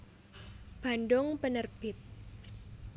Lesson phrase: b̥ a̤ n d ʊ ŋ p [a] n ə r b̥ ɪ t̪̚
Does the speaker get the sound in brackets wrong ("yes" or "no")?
yes